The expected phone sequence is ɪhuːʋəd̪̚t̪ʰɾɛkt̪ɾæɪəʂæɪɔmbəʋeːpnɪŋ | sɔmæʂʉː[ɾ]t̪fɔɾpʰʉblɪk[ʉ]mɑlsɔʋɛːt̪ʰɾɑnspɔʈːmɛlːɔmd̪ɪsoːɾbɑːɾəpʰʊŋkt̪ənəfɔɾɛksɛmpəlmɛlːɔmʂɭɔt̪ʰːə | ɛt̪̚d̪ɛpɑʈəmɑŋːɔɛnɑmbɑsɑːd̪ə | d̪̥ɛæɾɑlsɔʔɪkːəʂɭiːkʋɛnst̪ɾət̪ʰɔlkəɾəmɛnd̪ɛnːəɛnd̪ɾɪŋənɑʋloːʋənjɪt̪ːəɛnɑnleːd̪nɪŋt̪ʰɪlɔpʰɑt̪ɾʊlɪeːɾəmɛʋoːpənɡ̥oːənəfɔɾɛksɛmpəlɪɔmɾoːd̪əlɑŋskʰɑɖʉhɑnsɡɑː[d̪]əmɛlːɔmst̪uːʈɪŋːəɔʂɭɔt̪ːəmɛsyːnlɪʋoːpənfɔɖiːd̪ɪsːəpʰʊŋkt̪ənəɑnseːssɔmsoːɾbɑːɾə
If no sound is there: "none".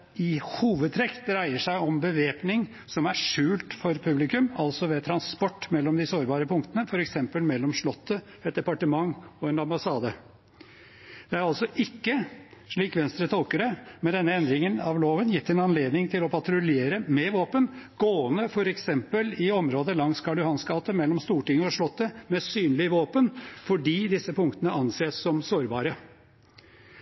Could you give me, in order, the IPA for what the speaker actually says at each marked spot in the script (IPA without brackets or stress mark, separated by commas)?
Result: l, ʉ, t̪